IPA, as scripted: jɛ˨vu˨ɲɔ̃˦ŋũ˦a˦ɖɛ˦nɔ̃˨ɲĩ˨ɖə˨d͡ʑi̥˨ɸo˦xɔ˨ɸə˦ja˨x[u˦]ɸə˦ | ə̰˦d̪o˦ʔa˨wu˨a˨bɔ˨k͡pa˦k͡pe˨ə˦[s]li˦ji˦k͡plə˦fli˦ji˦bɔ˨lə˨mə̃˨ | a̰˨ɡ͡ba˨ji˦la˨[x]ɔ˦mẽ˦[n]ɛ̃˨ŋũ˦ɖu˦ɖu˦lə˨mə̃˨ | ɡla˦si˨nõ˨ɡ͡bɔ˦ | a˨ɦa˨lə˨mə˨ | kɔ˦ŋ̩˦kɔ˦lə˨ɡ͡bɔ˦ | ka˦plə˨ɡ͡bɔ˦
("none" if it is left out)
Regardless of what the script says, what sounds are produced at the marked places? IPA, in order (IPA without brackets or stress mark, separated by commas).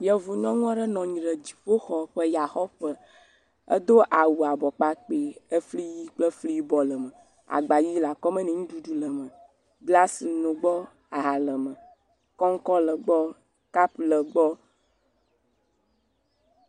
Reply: ɔ˦, f, k, n